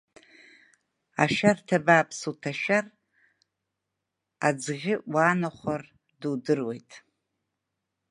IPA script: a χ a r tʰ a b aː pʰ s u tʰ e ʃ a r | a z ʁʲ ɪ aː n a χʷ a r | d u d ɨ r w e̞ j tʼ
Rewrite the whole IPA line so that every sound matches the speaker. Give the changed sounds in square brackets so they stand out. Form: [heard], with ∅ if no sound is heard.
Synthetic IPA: a [ʃ] a r tʰ a b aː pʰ s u tʰ [a] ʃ a r | a [d͡z] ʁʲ ɪ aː n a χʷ a r | d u d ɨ r w e̞ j tʼ